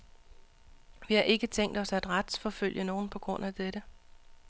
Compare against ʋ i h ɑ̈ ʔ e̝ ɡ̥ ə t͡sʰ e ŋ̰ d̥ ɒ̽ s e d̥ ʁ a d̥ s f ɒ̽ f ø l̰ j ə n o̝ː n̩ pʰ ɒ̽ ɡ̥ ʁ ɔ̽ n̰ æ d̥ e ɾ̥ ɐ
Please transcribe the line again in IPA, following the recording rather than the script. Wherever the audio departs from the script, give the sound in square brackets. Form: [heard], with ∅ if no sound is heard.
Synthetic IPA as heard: ʋ i h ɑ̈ ʔ e̝ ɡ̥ ə t͡sʰ e ŋ̰ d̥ ɒ̽ s [æ] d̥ ʁ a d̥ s f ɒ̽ f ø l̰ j ə n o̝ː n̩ pʰ ɒ̽ ɡ̥ ʁ ɔ̽ n̰ æ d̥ e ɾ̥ [ə]

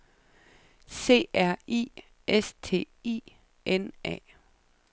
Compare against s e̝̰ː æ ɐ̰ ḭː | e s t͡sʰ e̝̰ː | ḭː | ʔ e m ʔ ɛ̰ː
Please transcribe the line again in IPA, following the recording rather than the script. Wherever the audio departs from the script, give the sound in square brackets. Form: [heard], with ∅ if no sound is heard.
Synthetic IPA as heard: s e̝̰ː æ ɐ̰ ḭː | e s t͡sʰ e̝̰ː | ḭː | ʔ e [n] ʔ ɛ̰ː

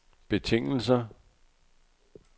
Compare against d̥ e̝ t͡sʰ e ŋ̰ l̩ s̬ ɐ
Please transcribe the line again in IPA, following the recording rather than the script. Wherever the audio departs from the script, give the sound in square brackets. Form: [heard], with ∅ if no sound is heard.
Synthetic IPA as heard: [b̥] e̝ t͡sʰ e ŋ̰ l̩ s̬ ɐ

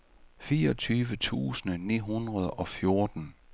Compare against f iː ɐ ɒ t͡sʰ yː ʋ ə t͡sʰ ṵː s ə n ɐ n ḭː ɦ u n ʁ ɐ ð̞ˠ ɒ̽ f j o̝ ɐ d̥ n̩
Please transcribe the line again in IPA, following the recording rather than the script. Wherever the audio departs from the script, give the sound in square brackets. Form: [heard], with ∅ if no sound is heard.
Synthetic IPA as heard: f iː ɐ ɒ t͡sʰ yː ʋ ə t͡sʰ ṵː s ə n [ə] n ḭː ɦ u n ʁ ɐ ð̞ˠ ɒ̽ f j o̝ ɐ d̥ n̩

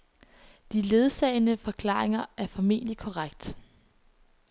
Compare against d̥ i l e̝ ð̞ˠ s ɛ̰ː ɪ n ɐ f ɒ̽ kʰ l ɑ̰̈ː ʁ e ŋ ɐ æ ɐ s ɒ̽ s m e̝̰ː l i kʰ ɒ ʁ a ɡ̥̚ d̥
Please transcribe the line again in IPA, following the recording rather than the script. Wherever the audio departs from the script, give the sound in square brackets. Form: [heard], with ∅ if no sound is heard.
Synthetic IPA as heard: d̥ i l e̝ ð̞ˠ s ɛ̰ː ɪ n [ə] f ɒ̽ kʰ l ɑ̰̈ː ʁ e ŋ ɐ æ ɐ [f] ɒ̽ [∅] m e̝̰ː l i kʰ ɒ ʁ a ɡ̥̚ d̥

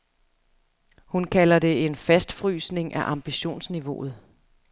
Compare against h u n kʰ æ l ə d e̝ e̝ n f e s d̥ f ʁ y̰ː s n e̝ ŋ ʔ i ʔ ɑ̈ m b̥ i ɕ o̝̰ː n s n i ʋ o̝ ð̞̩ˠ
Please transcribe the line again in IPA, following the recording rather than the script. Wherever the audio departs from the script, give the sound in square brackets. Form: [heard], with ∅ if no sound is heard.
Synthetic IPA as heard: h u n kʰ æ l [ɐ] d e̝ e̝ n f [æ] s d̥ f ʁ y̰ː s n e̝ ŋ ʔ [æ] ʔ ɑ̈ m b̥ i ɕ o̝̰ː n s n i ʋ o̝ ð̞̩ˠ

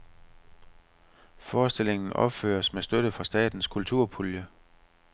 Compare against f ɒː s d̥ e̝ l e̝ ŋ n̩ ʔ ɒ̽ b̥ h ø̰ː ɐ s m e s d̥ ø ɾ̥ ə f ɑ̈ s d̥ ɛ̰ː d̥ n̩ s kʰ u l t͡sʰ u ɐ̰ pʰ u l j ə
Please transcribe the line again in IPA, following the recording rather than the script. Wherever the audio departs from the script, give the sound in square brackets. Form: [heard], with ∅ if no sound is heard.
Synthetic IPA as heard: f ɒː s d̥ e̝ l e̝ ŋ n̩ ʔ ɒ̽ b̥ [f] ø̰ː ɐ s m e s d̥ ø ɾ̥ ə f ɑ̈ s d̥ ɛ̰ː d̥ n̩ s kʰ u l t͡sʰ u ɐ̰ pʰ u l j ə

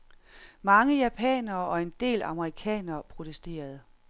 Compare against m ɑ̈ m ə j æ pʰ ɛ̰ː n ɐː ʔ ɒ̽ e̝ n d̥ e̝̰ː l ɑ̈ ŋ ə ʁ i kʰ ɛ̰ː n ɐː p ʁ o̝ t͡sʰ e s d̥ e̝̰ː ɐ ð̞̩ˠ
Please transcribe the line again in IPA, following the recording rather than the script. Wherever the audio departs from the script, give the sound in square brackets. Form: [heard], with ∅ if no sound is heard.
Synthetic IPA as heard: m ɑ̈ [ŋ] ə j æ pʰ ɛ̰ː n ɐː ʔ ɒ̽ e̝ n d̥ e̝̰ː l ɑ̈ [m] ə ʁ i kʰ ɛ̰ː n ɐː [pʰ] ʁ o̝ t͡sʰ e s d̥ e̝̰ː ɐ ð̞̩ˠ

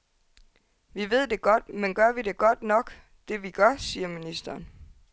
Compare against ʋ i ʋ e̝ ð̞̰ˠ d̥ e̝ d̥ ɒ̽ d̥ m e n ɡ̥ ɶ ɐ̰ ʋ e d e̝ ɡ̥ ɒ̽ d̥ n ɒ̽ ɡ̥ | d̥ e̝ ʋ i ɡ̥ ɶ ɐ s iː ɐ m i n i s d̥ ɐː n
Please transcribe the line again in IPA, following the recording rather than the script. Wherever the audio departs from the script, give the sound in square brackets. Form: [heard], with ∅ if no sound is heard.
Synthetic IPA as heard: ʋ i ʋ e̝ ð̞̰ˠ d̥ e̝ [ɡ̥] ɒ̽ d̥ m e n ɡ̥ ɶ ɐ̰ ʋ [i] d e̝ ɡ̥ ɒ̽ d̥ n ɒ̽ ɡ̥ | d̥ e̝ ʋ i ɡ̥ ɶ ɐ s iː ɐ m i n i s d̥ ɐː n

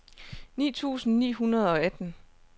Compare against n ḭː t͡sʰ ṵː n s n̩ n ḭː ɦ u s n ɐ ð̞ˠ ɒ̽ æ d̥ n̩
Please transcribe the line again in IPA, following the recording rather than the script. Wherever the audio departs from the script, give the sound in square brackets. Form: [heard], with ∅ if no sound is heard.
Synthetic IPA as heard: n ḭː t͡sʰ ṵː [∅] s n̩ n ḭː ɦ u [∅] n ɐ ð̞ˠ ɒ̽ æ d̥ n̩

